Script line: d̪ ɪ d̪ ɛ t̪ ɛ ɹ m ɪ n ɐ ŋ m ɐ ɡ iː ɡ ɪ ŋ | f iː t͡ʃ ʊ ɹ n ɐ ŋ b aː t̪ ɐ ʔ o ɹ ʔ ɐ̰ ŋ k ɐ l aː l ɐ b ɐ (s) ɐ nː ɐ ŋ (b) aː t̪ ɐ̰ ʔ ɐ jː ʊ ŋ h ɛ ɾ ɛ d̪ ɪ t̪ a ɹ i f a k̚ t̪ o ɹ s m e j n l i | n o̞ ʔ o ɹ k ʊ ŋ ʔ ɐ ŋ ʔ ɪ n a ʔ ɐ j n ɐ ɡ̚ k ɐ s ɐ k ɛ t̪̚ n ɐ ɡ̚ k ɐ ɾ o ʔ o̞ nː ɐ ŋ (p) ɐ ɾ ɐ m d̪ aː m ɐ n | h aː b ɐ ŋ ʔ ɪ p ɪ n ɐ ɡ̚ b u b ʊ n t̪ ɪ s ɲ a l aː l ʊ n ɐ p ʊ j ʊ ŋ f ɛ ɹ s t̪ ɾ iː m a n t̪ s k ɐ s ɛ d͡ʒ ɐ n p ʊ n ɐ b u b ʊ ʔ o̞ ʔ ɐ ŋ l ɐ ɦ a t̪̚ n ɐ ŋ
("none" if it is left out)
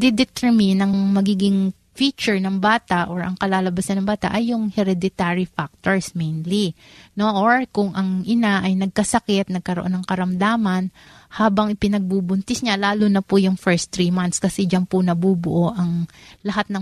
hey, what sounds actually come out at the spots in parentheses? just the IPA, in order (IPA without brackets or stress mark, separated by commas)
s, b, k